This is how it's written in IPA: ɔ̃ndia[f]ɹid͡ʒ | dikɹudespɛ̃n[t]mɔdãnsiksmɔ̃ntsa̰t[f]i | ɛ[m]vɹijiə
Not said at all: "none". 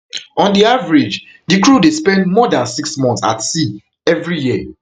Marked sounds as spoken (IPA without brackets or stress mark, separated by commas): v, d, s, none